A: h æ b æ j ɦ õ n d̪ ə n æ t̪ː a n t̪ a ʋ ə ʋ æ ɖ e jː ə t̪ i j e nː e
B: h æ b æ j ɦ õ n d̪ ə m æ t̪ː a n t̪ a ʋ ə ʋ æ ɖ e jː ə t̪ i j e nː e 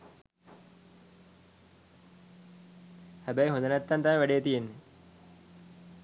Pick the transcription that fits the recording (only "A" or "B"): A